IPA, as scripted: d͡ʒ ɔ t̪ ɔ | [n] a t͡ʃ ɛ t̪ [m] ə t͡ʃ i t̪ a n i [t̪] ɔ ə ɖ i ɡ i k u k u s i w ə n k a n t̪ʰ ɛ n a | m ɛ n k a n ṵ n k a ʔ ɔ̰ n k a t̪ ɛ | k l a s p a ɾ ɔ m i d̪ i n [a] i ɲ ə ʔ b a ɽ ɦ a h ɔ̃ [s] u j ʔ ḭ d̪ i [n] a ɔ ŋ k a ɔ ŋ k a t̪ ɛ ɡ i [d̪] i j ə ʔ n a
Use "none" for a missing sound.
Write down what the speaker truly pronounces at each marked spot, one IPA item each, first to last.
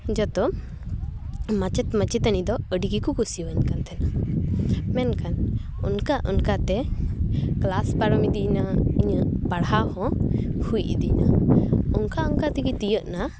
m, m, d̪, a, h, n, t̪

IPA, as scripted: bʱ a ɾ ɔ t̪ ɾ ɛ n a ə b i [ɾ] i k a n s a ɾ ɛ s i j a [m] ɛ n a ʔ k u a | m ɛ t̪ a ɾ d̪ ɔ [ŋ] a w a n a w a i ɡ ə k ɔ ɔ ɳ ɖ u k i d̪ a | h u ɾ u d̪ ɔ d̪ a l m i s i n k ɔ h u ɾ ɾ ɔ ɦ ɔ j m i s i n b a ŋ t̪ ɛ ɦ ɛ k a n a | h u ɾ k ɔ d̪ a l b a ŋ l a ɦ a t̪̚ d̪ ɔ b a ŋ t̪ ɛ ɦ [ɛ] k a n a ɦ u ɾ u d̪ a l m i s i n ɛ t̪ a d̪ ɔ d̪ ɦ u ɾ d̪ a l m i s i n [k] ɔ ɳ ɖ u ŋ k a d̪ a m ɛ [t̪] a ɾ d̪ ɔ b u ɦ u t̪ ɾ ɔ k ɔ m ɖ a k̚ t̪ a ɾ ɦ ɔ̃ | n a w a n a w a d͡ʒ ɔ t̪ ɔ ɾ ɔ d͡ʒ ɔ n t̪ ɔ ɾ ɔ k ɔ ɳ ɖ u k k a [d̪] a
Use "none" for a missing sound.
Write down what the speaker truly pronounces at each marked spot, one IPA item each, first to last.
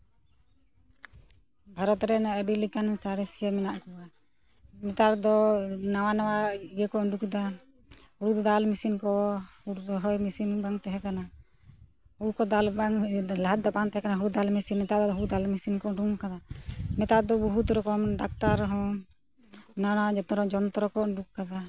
l, m, n, ɛ, k, t̪, d̪

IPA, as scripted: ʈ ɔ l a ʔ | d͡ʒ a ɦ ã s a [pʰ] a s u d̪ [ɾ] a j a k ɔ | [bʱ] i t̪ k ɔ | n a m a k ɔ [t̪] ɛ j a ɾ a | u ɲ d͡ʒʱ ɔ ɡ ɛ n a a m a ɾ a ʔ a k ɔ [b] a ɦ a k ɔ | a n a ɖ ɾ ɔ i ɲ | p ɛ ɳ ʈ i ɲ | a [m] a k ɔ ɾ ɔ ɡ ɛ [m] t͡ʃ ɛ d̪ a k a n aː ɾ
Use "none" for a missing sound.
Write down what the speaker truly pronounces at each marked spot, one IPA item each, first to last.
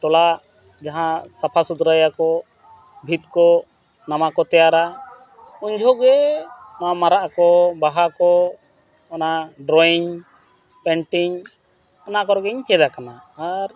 pʰ, ɾ, bʱ, t̪, b, n, ɲ

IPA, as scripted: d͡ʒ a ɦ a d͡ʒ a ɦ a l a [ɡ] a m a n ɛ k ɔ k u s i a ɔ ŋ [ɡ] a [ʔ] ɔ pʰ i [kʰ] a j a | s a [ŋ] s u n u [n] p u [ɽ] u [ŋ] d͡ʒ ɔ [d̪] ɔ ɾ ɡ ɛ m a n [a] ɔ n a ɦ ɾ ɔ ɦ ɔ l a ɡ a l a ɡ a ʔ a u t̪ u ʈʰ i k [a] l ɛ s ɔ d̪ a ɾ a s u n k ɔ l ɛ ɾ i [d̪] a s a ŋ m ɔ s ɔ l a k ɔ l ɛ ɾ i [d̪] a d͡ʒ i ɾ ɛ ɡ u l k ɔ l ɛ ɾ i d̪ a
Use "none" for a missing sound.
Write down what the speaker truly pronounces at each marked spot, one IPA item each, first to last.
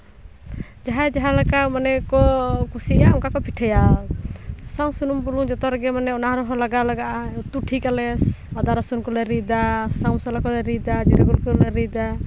k, k, k, ʈʰ, ŋ, m, l, ŋ, t̪, ɛ, a, d̪, d̪

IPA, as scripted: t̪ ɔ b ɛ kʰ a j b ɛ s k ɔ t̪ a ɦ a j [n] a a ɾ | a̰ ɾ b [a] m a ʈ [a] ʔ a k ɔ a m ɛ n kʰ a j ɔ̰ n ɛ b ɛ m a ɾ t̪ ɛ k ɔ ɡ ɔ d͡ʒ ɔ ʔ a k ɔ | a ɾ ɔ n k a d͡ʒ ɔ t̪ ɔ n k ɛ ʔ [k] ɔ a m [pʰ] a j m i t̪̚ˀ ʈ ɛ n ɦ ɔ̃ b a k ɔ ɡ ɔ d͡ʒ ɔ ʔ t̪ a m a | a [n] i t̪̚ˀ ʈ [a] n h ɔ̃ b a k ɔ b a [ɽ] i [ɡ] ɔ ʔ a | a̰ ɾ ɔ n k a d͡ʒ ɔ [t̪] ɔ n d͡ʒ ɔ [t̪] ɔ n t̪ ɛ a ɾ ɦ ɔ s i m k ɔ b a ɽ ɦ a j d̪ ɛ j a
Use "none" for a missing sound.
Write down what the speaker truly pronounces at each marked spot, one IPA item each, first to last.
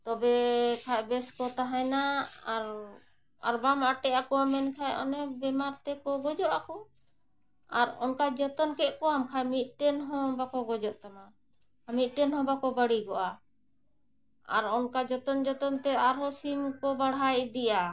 n, a, ɛ, k, kʰ, m, ɛ, ɽ, ɡ, t̪, t̪

